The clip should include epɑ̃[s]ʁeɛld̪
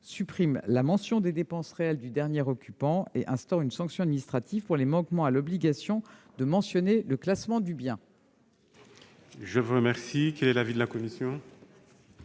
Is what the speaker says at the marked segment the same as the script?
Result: yes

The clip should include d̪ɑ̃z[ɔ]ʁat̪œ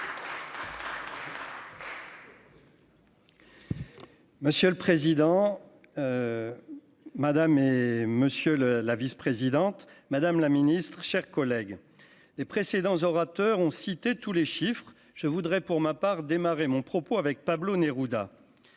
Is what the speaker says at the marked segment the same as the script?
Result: yes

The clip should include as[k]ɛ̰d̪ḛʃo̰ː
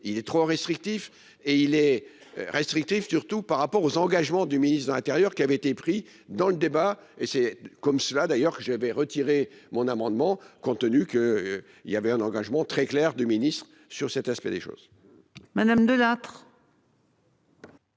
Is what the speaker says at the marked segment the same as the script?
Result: no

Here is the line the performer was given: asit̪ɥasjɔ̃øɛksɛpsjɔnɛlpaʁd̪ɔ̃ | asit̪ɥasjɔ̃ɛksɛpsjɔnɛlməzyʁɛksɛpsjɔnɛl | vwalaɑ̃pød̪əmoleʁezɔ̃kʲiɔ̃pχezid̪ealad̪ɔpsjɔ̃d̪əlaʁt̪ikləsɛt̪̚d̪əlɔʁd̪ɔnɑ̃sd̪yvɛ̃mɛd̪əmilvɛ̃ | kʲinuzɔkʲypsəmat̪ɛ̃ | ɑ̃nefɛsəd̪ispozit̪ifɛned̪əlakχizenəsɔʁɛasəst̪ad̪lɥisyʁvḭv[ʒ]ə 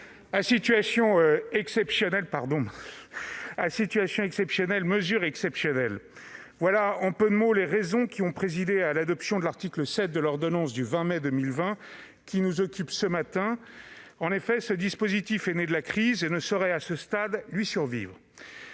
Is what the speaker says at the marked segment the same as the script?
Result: no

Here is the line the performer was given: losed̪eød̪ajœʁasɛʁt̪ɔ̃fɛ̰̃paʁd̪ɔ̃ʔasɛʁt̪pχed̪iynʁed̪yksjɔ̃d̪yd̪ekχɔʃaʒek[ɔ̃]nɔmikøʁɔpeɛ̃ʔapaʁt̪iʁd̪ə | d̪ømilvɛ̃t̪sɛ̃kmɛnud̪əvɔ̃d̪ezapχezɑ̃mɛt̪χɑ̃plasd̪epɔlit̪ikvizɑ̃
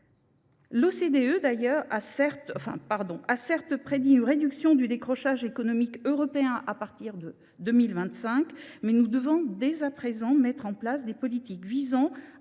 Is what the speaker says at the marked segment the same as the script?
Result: no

